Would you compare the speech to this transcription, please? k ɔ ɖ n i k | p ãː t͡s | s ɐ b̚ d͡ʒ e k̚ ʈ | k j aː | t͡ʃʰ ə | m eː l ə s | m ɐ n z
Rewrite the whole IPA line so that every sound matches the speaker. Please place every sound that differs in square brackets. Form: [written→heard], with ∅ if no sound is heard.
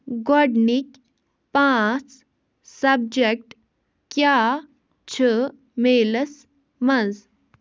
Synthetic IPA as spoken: [k→ɡ] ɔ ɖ n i k | p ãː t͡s | s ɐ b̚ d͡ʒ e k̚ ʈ | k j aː | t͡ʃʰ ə | m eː l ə s | m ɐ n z